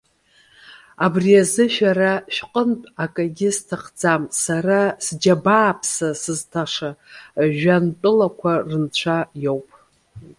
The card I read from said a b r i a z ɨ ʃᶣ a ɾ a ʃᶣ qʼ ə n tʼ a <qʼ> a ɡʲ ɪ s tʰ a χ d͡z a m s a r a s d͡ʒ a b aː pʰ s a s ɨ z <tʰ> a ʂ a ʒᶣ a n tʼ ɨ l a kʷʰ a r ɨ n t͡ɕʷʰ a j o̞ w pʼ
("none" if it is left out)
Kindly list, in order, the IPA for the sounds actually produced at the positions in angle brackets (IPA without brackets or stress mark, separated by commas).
kʼ, tʰ